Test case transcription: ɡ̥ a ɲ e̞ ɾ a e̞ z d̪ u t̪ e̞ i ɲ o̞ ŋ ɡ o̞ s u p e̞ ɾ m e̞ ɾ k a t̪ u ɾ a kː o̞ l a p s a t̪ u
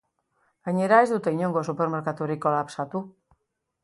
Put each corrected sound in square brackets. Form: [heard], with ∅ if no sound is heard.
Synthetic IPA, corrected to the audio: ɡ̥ a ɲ e̞ ɾ a e̞ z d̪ u t̪ e̞ i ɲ o̞ ŋ ɡ o̞ s u p e̞ ɾ m e̞ ɾ k a t̪ u ɾ [i] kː o̞ l a p s a t̪ u